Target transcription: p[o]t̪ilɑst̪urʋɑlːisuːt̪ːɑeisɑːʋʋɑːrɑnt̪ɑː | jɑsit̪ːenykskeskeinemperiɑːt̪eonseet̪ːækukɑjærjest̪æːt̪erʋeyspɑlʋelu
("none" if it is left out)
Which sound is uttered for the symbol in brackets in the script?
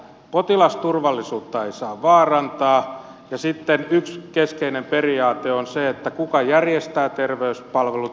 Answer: o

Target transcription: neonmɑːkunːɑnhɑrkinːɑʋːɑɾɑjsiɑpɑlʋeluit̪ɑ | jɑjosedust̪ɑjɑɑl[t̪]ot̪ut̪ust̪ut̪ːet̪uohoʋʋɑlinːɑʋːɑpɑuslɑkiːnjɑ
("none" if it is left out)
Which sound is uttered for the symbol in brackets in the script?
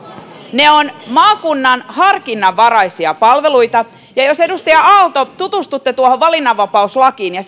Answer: t̪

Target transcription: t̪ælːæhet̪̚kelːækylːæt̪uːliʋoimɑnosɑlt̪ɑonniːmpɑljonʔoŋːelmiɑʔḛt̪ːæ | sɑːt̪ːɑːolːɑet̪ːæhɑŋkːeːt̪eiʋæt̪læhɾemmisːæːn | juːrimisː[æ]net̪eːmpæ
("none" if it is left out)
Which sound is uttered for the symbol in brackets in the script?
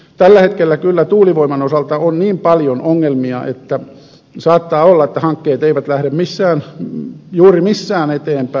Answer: æː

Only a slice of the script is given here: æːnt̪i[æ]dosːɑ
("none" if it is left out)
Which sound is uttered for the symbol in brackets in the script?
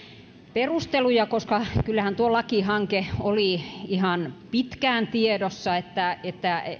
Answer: e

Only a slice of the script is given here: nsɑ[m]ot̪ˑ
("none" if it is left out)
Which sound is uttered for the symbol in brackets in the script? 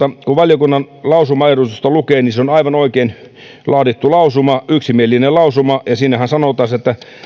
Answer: n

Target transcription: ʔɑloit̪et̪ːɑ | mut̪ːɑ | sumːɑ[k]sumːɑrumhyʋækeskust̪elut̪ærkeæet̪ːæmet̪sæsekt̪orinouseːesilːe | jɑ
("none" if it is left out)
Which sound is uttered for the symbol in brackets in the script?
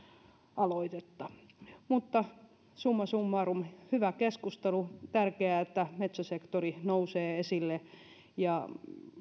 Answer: none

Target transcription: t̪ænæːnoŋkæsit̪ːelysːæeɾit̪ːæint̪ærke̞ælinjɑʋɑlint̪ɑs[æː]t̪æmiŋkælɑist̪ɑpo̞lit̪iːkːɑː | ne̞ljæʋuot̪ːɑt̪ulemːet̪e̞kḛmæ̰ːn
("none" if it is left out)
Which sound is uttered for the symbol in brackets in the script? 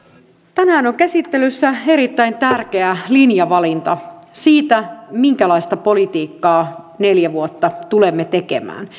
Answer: iː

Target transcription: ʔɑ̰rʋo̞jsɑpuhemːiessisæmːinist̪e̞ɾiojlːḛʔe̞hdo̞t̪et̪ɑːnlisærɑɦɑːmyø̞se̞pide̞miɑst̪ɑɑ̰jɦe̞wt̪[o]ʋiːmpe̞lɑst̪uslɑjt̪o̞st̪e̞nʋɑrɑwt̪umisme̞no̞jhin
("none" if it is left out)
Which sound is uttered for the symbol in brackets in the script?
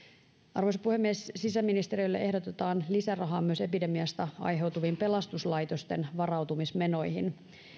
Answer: u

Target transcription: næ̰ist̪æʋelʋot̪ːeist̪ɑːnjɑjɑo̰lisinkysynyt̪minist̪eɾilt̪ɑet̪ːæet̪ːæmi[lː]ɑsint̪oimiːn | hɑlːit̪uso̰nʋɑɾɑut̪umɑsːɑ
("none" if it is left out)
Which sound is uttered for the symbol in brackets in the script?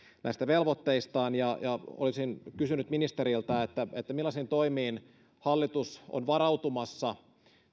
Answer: lː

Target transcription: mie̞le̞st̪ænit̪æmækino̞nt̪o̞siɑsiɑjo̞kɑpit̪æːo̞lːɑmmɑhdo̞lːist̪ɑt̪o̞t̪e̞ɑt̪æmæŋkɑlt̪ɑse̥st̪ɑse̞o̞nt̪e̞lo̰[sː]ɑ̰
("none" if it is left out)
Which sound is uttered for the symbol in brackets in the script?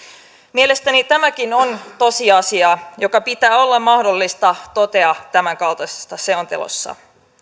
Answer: sː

